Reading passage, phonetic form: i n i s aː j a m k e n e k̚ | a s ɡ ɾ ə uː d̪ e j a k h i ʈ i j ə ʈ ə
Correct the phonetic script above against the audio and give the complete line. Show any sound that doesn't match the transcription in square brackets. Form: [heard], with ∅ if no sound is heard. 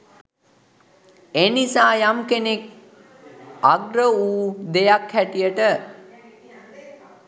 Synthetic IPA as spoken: [e] n i s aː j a m k e n e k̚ | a [∅] ɡ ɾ ə uː d̪ e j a k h [æ] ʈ i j ə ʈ ə